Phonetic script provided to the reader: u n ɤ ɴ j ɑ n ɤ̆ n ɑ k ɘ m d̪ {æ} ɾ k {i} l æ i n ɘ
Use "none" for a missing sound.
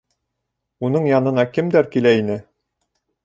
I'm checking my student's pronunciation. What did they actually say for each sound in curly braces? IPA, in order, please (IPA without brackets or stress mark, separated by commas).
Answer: æ, i